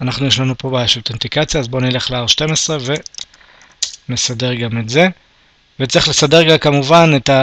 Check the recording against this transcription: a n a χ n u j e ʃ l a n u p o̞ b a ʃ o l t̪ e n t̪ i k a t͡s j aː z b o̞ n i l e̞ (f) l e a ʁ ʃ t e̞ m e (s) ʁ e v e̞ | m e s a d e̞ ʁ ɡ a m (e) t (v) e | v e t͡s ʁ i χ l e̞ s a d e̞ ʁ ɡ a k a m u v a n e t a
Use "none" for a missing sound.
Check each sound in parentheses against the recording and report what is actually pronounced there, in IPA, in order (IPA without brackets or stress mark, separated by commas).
χ, s, e, z